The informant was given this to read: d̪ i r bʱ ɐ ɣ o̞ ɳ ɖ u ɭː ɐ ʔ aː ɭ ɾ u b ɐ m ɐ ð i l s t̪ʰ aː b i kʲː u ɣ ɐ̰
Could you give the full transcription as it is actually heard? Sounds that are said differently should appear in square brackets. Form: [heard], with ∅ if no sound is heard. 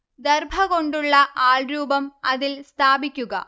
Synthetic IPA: d̪ [e] r bʱ ɐ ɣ o̞ ɳ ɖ u ɭː ɐ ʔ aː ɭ ɾ [uː] b ɐ m ɐ ð i l s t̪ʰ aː b i kʲː u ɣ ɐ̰